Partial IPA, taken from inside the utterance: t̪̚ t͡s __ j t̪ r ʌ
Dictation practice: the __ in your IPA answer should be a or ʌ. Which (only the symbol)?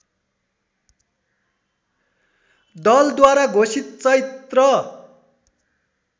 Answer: ʌ